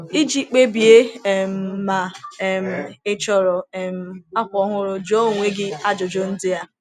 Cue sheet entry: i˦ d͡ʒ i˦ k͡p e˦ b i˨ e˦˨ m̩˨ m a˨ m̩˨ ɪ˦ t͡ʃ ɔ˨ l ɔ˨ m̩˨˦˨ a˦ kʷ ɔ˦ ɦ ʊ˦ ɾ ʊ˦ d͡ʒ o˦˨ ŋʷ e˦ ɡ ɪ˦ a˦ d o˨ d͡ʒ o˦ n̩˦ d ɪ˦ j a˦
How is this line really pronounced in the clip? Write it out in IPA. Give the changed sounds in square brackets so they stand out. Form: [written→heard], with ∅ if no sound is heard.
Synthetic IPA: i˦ d͡ʒ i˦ k͡p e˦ b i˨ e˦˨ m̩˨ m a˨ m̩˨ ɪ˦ t͡ʃ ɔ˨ [l→ɾ] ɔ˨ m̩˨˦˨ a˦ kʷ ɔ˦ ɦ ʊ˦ ɾ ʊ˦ d͡ʒ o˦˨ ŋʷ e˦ ɡ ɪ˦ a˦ [d→d͡ʒ] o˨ d͡ʒ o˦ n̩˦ d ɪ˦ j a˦